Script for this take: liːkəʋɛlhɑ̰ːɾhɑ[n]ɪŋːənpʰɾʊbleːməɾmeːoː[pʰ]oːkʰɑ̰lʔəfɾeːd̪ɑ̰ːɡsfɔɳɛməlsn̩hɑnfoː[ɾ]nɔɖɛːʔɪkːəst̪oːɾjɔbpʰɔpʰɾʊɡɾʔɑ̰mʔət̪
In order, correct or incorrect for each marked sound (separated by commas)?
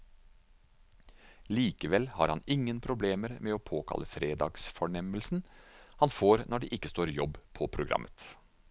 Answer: correct, correct, correct